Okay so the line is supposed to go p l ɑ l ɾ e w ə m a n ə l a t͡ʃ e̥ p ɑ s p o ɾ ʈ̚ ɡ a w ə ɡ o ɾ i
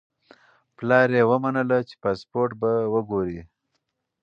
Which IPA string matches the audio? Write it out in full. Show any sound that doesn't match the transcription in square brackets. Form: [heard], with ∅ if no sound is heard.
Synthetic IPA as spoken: p l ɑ [∅] ɾ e w ə m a n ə l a t͡ʃ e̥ p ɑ s p o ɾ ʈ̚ [b] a w ə ɡ o ɾ i